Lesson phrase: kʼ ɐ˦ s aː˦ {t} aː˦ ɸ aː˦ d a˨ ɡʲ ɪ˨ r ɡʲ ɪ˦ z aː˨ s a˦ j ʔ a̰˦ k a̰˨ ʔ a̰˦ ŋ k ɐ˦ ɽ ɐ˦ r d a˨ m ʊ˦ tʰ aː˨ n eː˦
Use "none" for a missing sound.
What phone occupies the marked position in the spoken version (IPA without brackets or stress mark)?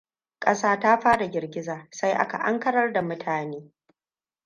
t